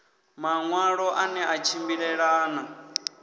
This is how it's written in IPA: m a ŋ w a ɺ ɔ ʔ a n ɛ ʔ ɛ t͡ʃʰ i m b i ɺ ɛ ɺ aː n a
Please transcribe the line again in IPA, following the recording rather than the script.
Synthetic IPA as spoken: m a ŋ w a ɺ ɔ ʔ a n ɛ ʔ a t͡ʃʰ i m b i ɺ ɛ ɺ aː n a